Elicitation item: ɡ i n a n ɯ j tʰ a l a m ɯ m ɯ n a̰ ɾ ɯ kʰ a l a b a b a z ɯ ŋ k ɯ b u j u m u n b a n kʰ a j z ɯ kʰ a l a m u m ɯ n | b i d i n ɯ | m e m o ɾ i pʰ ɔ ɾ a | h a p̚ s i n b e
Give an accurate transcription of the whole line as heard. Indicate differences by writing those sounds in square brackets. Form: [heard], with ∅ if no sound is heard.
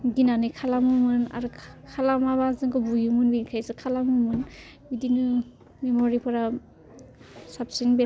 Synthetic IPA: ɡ i n a n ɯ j [kʰ] a l a m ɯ m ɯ n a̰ ɾ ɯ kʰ a l a [m] a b a z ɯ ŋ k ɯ b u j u m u n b [i] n kʰ a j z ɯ kʰ a l a m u m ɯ n | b i d i n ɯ | m e m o ɾ i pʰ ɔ ɾ a | [s] a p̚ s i n b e